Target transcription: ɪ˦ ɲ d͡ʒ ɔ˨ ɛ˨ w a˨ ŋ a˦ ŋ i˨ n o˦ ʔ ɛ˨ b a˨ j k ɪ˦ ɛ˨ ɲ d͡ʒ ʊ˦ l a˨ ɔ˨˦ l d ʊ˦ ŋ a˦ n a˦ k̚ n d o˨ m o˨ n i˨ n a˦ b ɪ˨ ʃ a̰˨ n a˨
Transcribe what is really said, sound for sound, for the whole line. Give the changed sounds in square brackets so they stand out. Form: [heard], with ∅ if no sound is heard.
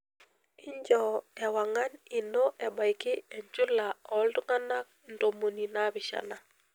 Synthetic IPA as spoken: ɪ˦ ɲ d͡ʒ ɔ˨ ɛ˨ w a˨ ŋ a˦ [n] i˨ n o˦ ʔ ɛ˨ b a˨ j k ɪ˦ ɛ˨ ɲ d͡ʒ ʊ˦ l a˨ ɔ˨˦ l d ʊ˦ ŋ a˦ n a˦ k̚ n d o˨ m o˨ n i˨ n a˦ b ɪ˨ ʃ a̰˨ n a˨